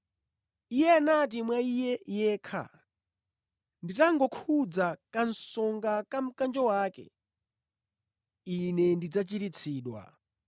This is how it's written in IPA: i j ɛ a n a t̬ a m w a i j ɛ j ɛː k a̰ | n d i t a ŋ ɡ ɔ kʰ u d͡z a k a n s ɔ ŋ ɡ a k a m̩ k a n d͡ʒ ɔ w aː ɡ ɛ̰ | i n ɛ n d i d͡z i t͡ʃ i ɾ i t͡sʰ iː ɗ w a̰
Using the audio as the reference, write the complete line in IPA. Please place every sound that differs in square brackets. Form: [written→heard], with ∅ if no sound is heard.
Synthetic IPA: i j ɛ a n a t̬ [a→i] m w a i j ɛ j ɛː [k→kʰ] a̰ | n d i t a ŋ ɡ ɔ kʰ u d͡z a k a n s ɔ ŋ ɡ a k a m̩ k a n d͡ʒ ɔ w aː [ɡ→k] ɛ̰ | i n ɛ n d i d͡z [i→a] t͡ʃ i ɾ i t͡sʰ iː ɗ w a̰